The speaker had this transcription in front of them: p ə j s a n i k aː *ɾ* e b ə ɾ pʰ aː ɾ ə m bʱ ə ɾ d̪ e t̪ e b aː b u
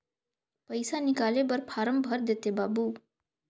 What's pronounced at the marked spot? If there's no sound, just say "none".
l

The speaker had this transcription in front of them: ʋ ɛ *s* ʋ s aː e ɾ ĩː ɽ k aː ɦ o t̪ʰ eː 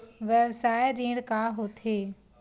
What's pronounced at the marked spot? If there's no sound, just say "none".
none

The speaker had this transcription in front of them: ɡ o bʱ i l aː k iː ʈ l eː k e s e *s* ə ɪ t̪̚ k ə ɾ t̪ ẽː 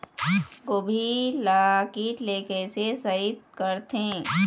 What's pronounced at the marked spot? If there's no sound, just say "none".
s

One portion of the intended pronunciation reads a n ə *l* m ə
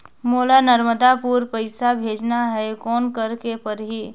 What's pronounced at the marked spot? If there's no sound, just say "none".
ɾ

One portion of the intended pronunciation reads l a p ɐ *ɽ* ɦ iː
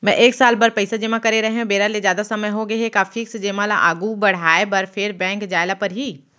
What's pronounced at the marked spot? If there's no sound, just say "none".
ɾ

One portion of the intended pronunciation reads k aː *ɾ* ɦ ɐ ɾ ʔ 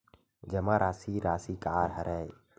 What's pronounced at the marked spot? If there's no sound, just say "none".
ɾ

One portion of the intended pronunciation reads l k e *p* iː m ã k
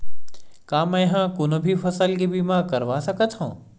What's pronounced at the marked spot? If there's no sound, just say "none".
b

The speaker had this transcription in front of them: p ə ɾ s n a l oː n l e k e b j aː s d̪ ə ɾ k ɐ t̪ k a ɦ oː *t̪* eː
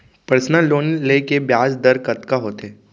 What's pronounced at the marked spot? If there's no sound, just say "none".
t̪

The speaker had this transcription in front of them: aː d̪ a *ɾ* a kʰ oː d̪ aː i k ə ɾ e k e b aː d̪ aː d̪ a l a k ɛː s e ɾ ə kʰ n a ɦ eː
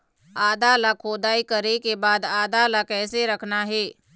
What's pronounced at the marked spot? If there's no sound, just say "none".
l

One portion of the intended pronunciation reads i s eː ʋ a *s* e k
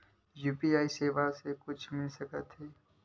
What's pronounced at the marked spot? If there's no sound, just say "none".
s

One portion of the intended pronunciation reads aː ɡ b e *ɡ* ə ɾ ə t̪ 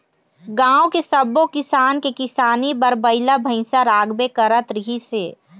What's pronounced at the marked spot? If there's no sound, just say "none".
k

